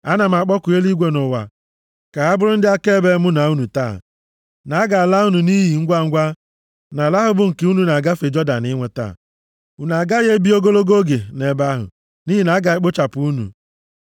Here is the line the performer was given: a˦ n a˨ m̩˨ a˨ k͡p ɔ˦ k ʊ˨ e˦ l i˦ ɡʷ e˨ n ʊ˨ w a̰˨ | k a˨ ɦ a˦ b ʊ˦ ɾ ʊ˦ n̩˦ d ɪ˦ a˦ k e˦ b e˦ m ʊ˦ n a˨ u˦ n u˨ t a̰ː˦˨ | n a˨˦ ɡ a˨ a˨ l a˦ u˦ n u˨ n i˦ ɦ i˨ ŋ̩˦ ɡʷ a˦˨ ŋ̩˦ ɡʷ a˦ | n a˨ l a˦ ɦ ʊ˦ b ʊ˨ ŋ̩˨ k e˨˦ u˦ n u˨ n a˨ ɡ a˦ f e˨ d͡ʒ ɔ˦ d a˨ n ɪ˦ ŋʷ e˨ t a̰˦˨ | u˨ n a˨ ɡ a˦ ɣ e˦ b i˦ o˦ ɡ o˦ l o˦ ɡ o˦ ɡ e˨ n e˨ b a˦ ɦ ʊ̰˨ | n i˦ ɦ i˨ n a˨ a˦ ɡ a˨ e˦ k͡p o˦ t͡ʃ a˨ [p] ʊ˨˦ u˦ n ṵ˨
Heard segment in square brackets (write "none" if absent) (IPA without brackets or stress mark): p